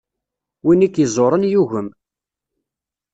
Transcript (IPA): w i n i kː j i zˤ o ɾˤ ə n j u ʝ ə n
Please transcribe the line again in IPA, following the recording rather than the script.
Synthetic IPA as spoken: w i n i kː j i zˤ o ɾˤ ə n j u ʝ ə m